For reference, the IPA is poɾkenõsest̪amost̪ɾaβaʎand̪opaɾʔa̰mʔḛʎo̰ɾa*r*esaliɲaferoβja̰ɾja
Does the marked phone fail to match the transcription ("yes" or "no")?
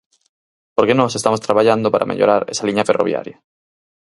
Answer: yes